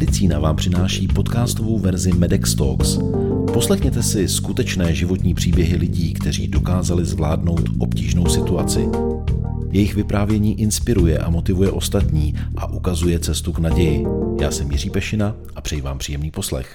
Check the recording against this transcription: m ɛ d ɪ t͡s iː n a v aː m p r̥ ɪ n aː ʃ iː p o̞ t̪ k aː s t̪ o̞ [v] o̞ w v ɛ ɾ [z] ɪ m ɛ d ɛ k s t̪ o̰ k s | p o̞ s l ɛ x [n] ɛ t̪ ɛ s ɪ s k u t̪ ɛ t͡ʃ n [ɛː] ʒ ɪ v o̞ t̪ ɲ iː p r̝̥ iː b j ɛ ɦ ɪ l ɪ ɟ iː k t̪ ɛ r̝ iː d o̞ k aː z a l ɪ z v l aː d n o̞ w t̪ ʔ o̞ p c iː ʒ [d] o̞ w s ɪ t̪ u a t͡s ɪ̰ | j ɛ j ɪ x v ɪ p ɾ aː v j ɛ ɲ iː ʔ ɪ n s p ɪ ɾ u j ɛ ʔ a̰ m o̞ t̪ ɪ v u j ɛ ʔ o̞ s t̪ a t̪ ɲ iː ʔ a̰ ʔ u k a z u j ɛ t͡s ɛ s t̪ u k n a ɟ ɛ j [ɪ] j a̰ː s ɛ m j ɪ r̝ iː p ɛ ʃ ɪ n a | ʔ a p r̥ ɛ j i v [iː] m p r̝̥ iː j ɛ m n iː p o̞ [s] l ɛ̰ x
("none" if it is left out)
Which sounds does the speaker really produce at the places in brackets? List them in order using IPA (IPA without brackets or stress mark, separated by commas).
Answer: v, z, ɲ, ɛː, n, ɪ, aː, s